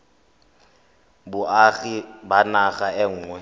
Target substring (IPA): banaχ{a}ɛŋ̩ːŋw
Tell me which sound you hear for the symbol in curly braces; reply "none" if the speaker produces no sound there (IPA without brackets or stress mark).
a